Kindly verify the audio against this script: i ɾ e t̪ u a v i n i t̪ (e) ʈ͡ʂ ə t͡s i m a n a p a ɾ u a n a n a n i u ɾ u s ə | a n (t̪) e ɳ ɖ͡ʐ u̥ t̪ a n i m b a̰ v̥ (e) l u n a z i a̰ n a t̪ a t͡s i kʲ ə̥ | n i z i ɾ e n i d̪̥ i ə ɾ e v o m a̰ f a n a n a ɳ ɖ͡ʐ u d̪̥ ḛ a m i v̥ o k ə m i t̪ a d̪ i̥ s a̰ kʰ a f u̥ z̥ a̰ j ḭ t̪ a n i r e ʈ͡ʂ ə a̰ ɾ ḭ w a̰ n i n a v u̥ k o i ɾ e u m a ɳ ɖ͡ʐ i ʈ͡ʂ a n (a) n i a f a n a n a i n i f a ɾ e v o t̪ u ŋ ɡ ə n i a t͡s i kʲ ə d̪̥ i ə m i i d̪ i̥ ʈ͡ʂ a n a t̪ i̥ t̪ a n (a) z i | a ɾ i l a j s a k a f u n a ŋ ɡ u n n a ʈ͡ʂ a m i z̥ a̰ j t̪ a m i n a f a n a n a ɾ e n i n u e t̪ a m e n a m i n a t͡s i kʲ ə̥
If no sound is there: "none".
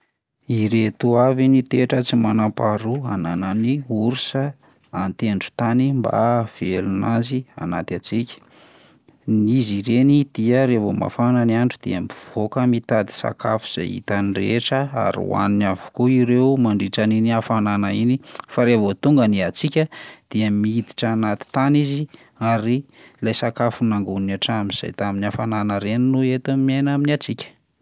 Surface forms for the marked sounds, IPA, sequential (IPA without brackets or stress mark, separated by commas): e, t̪, e, i, i